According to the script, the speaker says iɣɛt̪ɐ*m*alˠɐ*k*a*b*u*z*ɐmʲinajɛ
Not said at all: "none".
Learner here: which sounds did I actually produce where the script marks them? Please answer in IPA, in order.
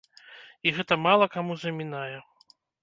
m, k, m, z

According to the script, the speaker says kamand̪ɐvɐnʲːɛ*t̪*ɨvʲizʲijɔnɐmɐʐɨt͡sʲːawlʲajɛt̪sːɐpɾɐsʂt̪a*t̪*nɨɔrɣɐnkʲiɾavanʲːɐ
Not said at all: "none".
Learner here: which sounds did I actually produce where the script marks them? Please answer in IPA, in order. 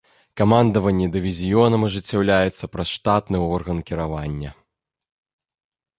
d̪, t̪

